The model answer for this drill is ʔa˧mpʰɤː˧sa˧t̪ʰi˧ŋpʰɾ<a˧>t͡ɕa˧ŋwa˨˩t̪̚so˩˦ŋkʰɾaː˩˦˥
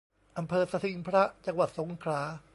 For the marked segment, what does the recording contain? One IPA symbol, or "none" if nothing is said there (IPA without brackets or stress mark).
a˦˥